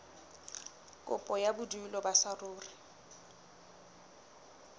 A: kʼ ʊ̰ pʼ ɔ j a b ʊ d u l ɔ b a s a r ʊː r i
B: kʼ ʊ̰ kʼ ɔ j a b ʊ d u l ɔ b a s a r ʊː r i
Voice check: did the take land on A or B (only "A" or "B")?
A